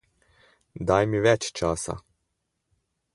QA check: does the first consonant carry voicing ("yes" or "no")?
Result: yes